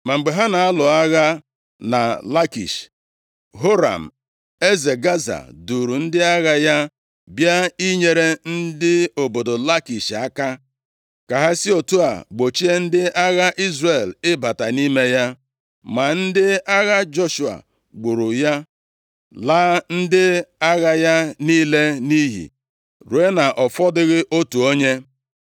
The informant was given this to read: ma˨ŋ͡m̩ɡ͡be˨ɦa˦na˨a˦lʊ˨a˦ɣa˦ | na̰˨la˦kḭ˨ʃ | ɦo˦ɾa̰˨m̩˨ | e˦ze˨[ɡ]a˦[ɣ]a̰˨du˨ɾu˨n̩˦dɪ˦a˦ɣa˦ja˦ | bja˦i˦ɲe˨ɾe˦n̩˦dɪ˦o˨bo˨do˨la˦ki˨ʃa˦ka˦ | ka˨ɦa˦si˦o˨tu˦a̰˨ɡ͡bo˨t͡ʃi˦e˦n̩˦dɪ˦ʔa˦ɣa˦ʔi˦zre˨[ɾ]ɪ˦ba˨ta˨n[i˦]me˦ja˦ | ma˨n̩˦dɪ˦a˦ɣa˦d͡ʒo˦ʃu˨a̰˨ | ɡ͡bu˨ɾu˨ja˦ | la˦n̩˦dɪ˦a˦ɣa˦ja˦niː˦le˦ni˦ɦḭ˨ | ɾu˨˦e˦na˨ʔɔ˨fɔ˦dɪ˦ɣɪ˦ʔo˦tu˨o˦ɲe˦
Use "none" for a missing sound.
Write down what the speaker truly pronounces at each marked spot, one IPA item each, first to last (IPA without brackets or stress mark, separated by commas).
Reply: ɡ, z, l, i˦